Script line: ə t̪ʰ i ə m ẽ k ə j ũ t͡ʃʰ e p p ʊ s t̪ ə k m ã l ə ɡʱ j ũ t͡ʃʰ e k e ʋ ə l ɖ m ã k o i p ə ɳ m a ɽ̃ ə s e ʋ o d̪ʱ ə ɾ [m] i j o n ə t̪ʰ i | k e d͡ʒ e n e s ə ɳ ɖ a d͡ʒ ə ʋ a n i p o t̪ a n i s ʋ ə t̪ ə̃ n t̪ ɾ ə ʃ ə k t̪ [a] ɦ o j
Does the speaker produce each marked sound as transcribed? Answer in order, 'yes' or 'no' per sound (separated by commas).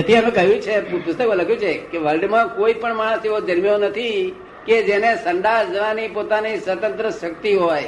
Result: yes, no